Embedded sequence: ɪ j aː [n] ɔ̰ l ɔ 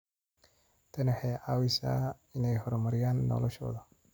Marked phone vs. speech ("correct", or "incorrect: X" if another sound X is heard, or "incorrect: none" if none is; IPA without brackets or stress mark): incorrect: nː